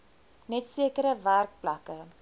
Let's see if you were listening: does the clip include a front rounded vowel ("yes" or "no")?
no